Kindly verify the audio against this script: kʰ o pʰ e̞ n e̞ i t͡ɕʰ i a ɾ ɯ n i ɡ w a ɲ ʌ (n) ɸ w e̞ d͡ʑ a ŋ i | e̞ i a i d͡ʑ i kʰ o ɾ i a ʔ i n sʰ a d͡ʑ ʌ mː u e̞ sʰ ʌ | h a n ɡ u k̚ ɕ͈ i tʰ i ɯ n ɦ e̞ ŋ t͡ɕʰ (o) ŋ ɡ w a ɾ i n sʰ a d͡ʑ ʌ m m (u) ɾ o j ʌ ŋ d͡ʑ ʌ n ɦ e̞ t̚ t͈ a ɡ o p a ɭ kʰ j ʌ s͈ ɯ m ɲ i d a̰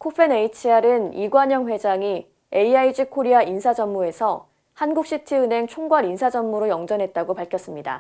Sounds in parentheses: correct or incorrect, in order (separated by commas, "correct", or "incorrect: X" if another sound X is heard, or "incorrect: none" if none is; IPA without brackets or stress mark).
incorrect: ŋ, correct, correct